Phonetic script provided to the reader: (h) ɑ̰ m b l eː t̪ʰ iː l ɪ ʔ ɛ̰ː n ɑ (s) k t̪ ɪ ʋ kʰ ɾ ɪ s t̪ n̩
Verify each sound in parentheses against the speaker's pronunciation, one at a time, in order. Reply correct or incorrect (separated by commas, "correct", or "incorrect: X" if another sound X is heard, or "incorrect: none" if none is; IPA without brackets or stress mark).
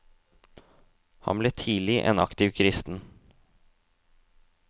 correct, incorrect: none